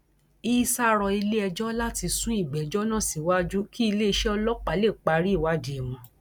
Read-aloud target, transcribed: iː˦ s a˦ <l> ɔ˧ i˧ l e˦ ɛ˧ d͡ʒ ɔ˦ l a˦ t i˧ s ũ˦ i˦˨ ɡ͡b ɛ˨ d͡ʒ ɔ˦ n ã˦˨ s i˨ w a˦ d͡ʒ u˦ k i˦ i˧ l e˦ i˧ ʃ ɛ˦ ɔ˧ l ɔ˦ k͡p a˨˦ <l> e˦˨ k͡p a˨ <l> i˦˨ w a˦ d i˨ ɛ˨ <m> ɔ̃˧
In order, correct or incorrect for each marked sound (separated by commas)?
incorrect, correct, incorrect, correct